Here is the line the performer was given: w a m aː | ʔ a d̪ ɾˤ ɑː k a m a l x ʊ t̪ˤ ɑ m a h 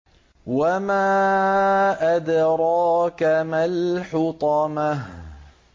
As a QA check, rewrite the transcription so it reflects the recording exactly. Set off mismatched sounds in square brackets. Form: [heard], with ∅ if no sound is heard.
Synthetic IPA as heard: w a m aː | ʔ a d̪ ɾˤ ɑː k a m a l [ħ] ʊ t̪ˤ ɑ m a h